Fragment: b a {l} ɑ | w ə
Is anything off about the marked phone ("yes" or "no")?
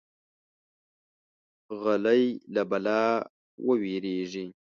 no